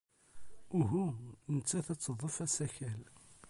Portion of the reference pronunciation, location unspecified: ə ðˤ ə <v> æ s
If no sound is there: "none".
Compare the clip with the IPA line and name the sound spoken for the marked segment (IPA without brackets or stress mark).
f